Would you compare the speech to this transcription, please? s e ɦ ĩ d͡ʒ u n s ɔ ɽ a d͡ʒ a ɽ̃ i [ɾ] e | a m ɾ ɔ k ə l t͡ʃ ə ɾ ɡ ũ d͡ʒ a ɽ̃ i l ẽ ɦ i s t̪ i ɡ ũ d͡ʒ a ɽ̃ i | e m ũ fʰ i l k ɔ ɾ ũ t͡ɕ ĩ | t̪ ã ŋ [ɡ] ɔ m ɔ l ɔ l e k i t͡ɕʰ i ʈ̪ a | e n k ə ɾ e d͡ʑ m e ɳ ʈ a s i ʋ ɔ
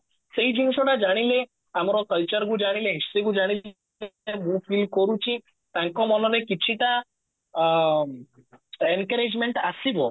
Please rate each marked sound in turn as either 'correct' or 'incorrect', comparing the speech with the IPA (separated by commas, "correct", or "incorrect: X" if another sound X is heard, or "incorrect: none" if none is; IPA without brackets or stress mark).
incorrect: l, incorrect: k